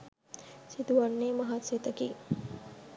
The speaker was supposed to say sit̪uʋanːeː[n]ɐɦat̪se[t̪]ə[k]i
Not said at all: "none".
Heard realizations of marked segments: m, t̪, k

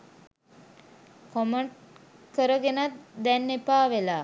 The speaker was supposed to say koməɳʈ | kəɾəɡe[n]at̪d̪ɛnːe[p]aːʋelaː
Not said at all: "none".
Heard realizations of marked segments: n, p

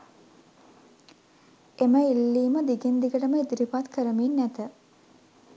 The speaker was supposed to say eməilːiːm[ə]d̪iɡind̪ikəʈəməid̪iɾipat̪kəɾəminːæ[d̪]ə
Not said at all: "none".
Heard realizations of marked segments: ə, t̪

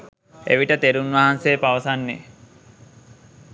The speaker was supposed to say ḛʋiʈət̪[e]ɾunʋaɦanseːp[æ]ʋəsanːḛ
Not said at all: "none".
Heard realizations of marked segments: e, a

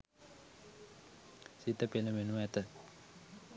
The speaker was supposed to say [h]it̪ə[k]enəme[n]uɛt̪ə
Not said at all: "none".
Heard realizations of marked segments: s, p, n

